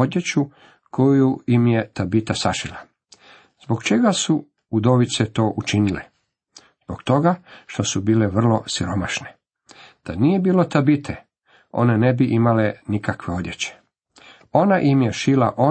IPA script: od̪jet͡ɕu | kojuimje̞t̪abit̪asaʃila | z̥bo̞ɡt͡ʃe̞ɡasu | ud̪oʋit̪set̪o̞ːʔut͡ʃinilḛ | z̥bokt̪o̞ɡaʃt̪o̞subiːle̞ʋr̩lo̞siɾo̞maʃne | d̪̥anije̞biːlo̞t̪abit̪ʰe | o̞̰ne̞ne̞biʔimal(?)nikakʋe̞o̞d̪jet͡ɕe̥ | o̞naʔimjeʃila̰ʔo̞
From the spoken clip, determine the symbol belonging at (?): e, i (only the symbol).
e